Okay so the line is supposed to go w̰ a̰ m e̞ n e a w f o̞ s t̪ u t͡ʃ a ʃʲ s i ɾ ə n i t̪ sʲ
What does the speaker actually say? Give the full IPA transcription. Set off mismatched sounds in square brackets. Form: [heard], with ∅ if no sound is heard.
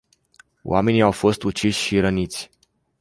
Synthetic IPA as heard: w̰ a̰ m e̞ n [i] a w f o̞ s t̪ u t͡ʃ [i] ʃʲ [ʃ] i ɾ ə n i t̪ sʲ